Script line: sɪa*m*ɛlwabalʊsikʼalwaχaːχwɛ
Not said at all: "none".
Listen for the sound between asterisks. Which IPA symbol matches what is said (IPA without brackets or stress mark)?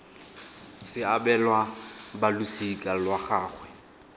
b